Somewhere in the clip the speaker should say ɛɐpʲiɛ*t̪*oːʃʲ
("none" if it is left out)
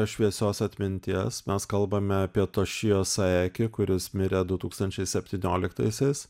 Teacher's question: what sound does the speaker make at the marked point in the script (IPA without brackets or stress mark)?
t̪